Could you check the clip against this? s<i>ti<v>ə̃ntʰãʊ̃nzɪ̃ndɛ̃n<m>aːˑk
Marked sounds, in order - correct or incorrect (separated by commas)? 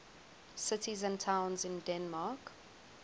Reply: incorrect, incorrect, correct